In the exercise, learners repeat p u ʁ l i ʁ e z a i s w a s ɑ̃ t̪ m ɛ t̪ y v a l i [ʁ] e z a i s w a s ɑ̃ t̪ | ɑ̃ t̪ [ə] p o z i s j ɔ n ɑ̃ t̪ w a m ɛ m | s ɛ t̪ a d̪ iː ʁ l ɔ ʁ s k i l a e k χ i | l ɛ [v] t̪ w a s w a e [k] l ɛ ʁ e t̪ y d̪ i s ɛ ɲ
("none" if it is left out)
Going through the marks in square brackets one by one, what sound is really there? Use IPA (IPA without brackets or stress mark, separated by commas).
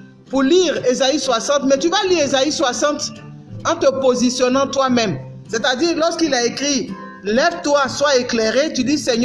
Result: ʁ, ə, v, k